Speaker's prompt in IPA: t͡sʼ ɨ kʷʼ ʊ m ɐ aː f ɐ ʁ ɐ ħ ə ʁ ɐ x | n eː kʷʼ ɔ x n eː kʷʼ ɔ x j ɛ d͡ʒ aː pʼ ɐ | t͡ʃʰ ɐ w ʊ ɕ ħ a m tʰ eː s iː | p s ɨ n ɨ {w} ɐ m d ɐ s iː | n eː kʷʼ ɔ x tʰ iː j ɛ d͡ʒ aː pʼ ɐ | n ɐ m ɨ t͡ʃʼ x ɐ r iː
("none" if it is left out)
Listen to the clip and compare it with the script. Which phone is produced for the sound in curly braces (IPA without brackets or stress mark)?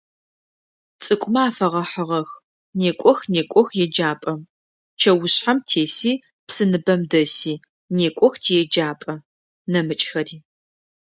b